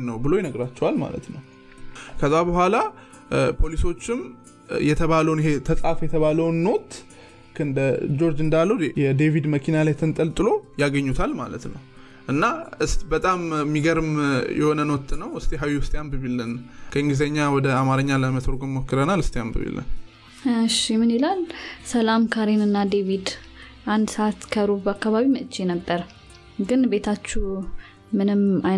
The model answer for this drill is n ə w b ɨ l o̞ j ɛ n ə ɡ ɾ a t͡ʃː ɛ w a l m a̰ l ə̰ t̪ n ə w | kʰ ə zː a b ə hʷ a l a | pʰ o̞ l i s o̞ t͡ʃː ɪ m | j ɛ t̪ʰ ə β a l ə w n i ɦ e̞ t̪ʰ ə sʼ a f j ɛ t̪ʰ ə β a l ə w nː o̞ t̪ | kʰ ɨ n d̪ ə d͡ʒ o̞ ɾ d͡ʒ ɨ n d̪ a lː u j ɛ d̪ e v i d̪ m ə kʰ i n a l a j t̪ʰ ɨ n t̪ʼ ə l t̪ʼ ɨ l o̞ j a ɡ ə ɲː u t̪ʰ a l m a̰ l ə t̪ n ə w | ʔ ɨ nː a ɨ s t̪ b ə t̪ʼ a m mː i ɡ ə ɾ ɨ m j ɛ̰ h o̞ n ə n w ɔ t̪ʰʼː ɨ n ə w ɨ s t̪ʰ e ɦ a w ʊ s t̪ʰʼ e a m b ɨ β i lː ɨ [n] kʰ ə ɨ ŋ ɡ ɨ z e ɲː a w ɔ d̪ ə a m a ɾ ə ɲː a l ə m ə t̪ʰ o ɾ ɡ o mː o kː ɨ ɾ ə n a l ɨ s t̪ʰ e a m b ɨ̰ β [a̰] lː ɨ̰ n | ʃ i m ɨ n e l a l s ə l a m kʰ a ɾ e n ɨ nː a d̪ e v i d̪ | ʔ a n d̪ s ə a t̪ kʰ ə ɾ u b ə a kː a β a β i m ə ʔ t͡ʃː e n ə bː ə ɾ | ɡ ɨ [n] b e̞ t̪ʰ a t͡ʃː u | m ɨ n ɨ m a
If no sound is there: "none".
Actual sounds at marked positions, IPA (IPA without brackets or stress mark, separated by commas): n, ḭ, n